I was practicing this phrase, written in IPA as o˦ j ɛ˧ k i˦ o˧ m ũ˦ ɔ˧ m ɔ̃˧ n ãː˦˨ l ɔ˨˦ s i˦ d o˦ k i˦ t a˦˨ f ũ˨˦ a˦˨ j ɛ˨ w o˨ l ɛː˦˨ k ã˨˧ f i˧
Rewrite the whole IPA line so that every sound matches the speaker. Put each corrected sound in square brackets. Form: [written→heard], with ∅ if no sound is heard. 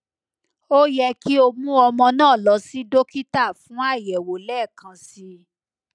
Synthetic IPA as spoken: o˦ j ɛ˧ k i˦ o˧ m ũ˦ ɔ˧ m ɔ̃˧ n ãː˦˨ l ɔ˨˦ s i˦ d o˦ k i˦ t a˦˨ f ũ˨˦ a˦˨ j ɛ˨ w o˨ l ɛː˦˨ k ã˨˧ [f→s] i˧